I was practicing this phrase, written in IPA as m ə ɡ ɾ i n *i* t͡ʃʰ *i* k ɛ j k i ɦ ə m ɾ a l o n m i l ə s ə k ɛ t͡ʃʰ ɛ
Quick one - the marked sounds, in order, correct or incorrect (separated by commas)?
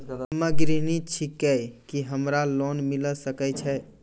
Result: correct, correct